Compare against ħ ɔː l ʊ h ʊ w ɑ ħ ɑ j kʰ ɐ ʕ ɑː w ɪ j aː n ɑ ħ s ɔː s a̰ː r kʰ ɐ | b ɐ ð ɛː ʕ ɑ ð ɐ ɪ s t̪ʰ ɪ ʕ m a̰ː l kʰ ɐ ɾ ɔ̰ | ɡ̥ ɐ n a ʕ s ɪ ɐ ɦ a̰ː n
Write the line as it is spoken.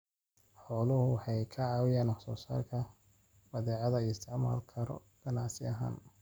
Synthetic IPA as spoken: ħ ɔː l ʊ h ʊ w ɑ ħ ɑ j kʰ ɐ ʕ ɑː w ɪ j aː n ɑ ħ s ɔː s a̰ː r kʰ ɐ | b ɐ ð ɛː ʕ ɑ ð ɐ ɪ s t̪ʰ ɪ ʕ m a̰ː l kʰ ɐ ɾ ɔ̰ | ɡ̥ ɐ n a ʕ s ɪ ɐ ɦ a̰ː n